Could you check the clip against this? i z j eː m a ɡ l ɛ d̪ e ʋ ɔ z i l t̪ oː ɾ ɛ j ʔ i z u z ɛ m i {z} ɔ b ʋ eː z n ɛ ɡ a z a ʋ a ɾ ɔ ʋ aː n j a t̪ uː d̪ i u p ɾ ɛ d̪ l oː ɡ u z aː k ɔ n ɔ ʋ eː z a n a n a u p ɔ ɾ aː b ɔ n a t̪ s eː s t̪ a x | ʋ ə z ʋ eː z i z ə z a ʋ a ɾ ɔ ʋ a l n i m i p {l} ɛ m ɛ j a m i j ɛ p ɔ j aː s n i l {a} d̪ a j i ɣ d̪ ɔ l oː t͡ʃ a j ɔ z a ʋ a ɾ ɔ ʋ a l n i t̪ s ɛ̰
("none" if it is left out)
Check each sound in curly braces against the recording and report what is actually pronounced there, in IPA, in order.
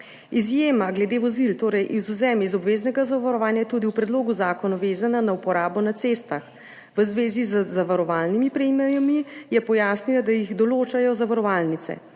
z, ɾ, a

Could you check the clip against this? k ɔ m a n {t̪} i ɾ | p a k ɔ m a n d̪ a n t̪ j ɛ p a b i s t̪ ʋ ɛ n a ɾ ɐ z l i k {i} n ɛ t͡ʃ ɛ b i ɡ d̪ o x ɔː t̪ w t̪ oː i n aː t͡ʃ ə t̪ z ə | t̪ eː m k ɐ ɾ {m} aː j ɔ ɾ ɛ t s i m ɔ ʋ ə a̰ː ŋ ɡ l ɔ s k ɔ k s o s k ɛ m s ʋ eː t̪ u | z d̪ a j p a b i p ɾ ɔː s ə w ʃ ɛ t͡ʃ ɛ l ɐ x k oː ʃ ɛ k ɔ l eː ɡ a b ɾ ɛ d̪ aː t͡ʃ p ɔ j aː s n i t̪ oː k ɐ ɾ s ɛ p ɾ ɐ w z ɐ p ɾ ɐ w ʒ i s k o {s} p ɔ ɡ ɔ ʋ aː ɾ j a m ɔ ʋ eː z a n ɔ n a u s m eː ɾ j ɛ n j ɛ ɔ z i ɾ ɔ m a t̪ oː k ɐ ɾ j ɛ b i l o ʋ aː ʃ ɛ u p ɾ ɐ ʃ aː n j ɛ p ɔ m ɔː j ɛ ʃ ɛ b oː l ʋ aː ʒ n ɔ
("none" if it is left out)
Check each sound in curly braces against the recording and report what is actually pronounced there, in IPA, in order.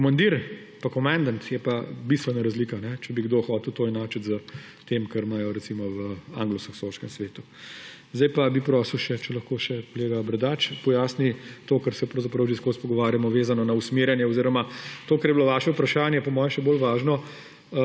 d̪, a, m, s

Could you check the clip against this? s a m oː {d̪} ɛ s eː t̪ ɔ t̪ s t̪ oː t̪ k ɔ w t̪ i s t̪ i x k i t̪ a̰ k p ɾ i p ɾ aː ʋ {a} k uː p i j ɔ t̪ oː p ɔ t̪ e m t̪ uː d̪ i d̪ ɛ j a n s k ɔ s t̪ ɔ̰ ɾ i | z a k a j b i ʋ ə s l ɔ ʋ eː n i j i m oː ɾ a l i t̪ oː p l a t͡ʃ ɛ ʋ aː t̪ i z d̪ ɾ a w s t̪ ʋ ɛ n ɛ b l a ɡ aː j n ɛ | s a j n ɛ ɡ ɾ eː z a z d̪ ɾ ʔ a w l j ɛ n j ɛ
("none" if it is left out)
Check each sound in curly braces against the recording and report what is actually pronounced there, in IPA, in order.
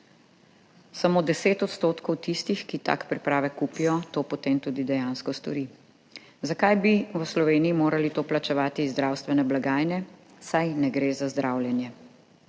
d̪, ɛ

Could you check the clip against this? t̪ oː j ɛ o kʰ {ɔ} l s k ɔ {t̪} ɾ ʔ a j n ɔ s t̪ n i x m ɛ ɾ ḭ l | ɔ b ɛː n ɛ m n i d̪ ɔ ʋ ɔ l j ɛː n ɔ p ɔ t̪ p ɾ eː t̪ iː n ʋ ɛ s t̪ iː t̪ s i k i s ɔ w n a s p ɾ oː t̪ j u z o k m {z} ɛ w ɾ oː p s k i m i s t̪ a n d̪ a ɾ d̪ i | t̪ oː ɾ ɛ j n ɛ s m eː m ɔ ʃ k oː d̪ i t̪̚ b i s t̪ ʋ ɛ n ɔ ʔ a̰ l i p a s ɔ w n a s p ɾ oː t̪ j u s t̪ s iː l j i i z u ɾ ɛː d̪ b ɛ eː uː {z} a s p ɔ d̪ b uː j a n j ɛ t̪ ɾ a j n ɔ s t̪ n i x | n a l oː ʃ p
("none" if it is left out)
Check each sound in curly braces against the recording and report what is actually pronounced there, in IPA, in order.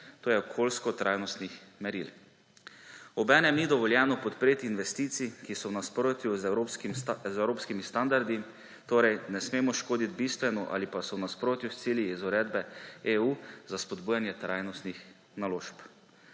o, t̪, z, z

